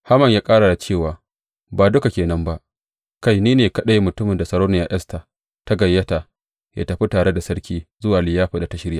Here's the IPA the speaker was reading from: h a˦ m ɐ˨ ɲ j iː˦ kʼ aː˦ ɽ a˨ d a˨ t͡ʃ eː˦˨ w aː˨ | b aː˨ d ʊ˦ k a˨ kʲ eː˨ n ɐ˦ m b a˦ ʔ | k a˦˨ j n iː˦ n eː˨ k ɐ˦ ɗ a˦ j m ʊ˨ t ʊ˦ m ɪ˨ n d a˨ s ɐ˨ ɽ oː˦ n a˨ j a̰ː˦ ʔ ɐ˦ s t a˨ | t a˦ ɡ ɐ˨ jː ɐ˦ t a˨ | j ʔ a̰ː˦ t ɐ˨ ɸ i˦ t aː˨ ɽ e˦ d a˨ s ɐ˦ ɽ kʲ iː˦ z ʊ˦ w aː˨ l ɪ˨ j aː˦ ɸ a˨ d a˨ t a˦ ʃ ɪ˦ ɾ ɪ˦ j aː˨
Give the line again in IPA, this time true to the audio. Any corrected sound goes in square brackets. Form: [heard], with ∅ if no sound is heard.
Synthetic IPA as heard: h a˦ m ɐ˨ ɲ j [aː˦] kʼ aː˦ ɽ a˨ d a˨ t͡ʃ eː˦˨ w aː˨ | b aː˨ d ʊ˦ k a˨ kʲ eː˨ n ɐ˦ m b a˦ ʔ | k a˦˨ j n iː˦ n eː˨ k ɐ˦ ɗ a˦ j m ʊ˨ t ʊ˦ m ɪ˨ n d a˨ s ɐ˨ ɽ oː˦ n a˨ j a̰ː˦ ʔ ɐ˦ s t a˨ | t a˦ ɡ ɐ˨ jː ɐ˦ t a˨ | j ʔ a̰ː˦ t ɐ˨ ɸ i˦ t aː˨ ɽ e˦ d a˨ s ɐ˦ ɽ kʲ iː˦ z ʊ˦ w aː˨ l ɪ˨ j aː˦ ɸ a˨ d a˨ t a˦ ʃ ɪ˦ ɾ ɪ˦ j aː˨